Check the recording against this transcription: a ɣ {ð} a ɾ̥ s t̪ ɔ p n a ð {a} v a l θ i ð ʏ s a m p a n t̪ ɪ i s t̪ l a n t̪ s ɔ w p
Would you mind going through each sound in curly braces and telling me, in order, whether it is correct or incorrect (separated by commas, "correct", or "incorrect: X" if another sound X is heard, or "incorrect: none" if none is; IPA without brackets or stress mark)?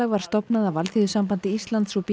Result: incorrect: v, correct